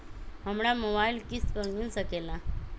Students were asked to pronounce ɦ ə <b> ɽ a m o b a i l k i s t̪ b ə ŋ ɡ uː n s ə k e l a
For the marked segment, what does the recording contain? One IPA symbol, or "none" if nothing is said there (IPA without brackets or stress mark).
m